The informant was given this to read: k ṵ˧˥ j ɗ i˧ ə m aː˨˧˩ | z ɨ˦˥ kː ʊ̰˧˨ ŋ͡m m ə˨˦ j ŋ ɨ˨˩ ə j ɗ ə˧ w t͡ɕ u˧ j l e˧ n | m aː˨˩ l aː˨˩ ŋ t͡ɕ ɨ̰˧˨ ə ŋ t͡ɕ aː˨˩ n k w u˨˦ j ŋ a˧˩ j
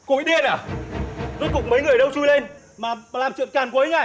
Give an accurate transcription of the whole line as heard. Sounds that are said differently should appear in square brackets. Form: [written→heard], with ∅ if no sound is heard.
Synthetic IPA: k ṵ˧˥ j ɗ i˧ ə [m→n] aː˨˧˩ | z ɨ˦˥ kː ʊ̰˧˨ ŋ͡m m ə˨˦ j ŋ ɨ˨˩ ə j ɗ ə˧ w t͡ɕ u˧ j l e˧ n | m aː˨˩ l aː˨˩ [ŋ→m] t͡ɕ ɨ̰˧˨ ə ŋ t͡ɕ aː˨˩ n k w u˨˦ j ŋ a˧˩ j

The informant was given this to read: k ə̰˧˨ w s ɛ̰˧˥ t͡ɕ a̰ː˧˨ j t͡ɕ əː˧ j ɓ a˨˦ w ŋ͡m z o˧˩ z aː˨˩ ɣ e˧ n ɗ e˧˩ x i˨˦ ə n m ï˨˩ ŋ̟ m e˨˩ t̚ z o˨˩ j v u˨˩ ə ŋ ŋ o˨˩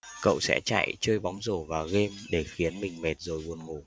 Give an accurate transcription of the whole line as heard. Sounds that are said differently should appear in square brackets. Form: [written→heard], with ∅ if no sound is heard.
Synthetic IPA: k ə̰˧˨ w s ɛ̰˧˥ t͡ɕ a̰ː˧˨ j t͡ɕ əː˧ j ɓ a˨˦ w ŋ͡m z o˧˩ [z→v] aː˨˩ ɣ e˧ [n→m] ɗ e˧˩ x i˨˦ ə n m ï˨˩ ŋ̟ m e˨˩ t̚ z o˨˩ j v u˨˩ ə [ŋ→n] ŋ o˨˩

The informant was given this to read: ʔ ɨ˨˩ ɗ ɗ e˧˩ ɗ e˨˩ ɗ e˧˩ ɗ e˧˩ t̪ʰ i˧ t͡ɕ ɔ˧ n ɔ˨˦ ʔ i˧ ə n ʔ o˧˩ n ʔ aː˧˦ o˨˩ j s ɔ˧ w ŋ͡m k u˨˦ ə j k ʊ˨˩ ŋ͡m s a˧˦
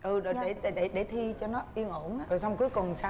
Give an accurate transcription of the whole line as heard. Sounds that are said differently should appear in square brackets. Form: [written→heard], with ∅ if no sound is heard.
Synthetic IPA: ʔ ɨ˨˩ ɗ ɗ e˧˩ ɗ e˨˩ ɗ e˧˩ ɗ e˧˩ t̪ʰ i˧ t͡ɕ ɔ˧ n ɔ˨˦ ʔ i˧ ə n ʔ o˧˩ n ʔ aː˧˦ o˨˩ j s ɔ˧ w ŋ͡m k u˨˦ ə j k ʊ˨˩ ŋ͡m s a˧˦

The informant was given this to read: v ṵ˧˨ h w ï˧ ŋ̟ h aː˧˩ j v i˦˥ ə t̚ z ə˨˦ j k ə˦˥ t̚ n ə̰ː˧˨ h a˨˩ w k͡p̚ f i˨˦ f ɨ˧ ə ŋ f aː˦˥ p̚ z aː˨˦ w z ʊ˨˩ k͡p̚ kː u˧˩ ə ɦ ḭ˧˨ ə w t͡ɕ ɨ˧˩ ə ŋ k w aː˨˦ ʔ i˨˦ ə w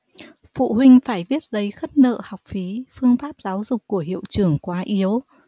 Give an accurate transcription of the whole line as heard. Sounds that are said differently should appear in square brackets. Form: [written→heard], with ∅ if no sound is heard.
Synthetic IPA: [v→f] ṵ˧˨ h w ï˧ ŋ̟ [h→f] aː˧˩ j v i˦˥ ə t̚ z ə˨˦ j [k→x] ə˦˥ t̚ n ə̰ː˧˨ h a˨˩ w k͡p̚ f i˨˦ f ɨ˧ ə ŋ f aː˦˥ p̚ z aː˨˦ w z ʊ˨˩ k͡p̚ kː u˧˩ ə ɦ ḭ˧˨ ə w t͡ɕ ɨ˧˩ ə ŋ k w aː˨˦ ʔ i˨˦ ə w

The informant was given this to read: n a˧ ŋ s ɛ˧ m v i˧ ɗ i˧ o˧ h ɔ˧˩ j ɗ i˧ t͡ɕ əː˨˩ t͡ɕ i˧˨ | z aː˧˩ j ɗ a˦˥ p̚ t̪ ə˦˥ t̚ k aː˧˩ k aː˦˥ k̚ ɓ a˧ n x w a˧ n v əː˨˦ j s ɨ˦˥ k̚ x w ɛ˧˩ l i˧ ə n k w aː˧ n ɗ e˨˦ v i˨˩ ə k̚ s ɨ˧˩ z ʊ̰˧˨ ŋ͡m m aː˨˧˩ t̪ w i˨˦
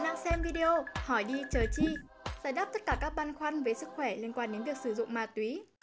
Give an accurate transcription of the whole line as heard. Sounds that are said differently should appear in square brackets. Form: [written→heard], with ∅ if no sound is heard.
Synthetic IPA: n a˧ ŋ s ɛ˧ m v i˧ ɗ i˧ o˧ h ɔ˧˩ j ɗ i˧ t͡ɕ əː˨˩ t͡ɕ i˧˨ | z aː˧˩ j ɗ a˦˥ p̚ t̪ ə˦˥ t̚ k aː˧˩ k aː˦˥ k̚ ɓ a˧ n x w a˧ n v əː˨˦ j s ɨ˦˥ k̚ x w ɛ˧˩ l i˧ ə n k w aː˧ n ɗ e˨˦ v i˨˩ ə k̚ s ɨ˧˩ z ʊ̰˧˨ ŋ͡m m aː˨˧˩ t̪ w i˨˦

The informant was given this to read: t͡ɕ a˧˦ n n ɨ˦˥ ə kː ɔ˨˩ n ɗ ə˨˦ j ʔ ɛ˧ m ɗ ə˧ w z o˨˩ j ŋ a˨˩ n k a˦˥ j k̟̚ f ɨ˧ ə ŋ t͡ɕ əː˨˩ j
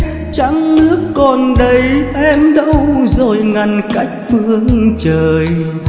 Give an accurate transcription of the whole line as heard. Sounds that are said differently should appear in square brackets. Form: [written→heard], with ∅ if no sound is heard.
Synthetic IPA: t͡ɕ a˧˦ [n→ŋ] n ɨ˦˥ ə kː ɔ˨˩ n ɗ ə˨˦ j ʔ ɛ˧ m ɗ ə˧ w z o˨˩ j ŋ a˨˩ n k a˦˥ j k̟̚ f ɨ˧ ə ŋ t͡ɕ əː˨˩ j

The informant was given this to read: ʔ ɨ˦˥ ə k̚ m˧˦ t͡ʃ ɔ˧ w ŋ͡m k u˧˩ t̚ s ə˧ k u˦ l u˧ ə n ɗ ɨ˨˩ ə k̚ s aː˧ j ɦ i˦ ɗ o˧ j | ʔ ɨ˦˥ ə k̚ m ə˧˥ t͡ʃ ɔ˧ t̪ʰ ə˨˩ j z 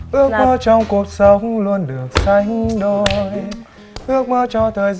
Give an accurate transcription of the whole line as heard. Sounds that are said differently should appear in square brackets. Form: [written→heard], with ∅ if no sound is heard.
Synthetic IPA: ʔ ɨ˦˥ ə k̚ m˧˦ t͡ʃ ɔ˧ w ŋ͡m k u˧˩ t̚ s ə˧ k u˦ l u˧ ə n ɗ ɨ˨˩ ə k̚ s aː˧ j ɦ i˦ ɗ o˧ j | ʔ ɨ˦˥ ə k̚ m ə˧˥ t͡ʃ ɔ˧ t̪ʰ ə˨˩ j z

